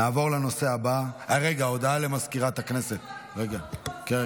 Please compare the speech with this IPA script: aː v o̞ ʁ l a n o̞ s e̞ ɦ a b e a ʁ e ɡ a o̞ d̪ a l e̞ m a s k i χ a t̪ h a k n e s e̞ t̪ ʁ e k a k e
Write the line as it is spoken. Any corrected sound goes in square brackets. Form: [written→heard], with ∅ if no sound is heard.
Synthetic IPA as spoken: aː v o̞ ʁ l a n o̞ s e̞ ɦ a b [e→a] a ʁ e ɡ a o̞ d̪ a l e̞ m a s k i [χ→ʁ] a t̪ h a k n e s e̞ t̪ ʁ e [k→ɡ] a k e